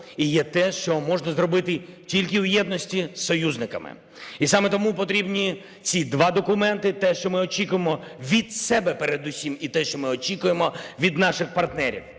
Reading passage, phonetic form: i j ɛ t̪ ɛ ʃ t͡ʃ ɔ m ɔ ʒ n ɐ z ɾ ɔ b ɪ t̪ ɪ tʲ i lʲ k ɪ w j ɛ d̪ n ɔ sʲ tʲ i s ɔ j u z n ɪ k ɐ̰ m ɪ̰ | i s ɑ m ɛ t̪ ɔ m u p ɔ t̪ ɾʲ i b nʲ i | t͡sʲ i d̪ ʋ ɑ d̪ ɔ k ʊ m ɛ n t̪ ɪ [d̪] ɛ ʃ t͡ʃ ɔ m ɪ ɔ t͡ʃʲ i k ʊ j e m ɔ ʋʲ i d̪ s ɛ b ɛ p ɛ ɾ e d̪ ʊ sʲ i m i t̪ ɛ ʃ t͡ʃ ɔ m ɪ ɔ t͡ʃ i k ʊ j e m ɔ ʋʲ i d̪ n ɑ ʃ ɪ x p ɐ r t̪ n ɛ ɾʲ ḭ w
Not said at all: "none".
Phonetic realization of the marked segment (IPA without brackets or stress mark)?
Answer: t̪